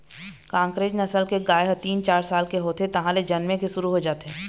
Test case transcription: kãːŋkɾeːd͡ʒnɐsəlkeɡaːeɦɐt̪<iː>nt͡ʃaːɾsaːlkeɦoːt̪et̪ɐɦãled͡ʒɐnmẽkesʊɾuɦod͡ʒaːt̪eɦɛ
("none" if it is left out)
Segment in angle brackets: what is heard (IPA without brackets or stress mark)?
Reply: iː